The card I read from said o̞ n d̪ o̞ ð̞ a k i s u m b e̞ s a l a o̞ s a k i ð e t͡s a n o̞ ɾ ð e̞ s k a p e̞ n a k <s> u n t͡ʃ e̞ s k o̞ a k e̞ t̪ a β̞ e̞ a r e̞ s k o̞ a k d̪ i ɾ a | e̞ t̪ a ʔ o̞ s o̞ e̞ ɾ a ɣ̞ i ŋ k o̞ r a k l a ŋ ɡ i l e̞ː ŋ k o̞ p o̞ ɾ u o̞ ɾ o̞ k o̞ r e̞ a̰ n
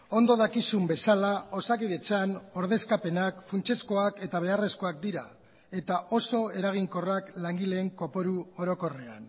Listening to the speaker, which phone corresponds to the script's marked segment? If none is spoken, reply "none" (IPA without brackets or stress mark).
f